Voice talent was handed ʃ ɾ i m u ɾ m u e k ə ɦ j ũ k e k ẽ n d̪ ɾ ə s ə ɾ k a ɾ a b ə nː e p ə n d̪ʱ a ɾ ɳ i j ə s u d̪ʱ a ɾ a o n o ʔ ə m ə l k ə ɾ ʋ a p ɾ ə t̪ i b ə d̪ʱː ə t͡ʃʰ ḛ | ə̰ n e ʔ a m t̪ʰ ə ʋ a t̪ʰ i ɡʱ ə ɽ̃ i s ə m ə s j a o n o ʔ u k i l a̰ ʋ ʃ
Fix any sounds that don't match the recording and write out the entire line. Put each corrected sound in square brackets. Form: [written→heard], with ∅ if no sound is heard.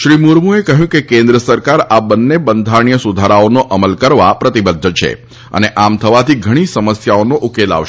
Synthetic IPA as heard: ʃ ɾ i m u ɾ m u e k ə ɦ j ũ k e k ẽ n d̪ ɾ ə s ə ɾ k a ɾ a b ə nː e [p→b] ə n d̪ʱ a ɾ ɳ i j ə s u d̪ʱ a ɾ a o n o ʔ ə m ə l k ə ɾ ʋ a p ɾ ə t̪ i b ə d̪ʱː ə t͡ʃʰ ḛ | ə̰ n e ʔ a m t̪ʰ ə ʋ a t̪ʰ i ɡʱ ə ɽ̃ i s ə m ə s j a o n o ʔ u k [i→e] l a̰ ʋ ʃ